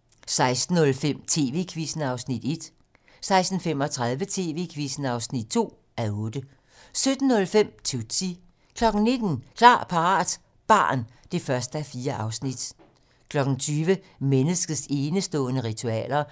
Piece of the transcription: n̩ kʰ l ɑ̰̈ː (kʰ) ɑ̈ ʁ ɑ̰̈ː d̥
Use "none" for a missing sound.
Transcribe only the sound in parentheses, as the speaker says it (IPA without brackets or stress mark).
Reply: pʰ